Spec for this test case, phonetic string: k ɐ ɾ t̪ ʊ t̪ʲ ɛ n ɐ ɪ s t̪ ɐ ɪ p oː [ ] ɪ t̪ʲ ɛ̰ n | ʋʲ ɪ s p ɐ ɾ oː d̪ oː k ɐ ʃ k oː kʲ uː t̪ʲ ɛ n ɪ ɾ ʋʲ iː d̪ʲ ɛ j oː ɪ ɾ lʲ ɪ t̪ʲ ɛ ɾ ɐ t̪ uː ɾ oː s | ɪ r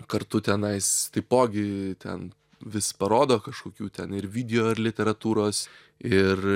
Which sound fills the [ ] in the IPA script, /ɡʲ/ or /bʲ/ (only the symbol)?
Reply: ɡʲ